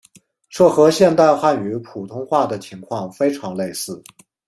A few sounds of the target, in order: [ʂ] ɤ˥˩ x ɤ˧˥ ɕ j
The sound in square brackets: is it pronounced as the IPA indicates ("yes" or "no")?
yes